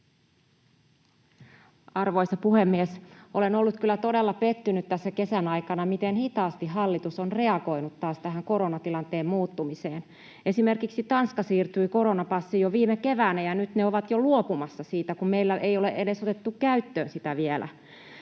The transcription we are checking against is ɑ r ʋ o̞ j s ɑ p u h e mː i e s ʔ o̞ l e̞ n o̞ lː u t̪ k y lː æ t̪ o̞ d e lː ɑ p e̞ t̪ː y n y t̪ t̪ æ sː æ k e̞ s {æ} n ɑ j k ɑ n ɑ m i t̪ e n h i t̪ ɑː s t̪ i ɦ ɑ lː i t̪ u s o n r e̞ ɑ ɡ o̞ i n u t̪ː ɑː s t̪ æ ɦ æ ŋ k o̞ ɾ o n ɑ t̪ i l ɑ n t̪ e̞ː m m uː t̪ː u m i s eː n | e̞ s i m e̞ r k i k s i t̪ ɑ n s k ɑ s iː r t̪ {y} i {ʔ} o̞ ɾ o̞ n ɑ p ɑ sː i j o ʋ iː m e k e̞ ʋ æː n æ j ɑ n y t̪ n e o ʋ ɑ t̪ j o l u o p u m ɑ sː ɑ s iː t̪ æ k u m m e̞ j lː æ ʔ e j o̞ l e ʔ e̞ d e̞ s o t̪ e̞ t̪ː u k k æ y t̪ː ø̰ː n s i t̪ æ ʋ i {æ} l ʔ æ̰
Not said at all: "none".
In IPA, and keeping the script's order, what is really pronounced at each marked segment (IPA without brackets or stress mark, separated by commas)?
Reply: æ, y, k, e